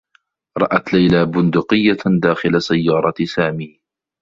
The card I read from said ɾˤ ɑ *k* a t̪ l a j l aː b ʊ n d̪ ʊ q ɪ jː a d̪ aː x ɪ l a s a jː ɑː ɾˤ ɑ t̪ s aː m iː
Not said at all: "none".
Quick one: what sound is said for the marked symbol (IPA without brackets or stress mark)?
ʔ